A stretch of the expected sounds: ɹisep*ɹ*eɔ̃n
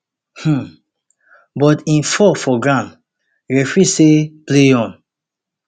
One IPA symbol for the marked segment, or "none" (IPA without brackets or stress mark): l